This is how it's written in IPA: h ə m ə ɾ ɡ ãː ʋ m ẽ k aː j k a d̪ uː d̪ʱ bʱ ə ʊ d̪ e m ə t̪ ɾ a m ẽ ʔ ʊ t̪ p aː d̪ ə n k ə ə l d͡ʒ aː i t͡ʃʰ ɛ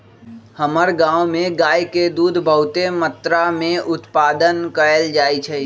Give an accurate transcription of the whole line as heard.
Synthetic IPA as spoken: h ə m ə ɾ ɡ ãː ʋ m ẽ ɡ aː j k e d̪ uː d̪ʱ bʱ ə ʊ t̪ e m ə t̪ ɾ a m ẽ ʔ ʊ t̪ p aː d̪ ə n k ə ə l d͡ʒ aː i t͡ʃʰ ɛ